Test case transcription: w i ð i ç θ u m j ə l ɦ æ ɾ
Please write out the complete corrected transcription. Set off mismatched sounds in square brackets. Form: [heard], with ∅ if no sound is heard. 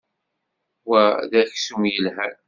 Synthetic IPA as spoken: w [æ] ð [æ] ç [s] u m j ə l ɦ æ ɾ